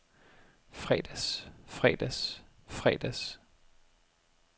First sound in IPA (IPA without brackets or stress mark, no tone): f